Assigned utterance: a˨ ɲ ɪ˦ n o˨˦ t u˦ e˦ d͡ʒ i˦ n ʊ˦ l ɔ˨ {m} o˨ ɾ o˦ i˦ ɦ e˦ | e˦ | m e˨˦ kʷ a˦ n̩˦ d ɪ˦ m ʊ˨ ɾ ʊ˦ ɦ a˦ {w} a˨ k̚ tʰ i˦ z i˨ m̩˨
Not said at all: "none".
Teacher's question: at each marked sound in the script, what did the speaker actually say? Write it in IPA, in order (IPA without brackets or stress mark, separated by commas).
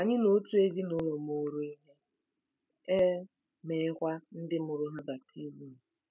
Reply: m, b